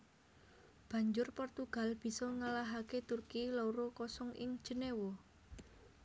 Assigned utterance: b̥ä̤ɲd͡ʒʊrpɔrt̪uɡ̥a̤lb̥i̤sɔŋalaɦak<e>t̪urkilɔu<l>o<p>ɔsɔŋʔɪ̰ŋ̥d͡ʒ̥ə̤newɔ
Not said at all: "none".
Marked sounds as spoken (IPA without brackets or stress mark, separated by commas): e, ɾ, k